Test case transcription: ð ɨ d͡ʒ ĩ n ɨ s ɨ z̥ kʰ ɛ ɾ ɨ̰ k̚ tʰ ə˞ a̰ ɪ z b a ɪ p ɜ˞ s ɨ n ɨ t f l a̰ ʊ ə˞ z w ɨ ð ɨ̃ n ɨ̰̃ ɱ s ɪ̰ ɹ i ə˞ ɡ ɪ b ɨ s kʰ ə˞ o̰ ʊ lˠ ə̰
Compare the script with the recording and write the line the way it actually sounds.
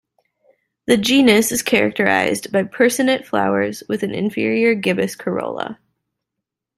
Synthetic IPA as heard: ð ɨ d͡ʒ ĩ n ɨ s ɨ z̥ kʰ ɛ ɹ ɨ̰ k̚ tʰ ə˞ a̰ ɪ z b a ɪ pʰ ɜ˞ s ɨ n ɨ t f l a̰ ʊ ə˞ z w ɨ ð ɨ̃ n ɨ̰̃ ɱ f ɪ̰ ɹ i ə˞ ɡ ɪ b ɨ s kʰ ə˞ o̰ ʊ lˠ ə̰